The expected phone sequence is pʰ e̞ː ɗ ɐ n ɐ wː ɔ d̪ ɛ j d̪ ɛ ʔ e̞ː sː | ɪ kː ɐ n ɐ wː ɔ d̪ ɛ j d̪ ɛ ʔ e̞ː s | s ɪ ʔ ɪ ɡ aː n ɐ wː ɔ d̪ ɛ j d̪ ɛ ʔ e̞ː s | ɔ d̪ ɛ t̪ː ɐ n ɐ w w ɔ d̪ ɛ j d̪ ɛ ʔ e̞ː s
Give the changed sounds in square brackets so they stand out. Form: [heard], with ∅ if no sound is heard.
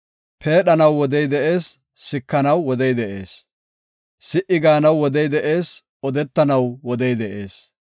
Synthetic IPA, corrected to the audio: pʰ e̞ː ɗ ɐ n ɐ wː ɔ d̪ ɛ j d̪ ɛ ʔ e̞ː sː | ɪ kː ɐ n ɐ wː ɔ d̪ ɛ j d̪ ɛ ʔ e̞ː s | s ɪ ʔ ɪ ɡ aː n ɐ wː ɔ d̪ ɛ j d̪ ɛ ʔ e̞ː s | ɔ d̪ ɛ t̪ː ɐ n ɐ w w ɔ d̪ ɛ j d̪ ɛ ʔ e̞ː s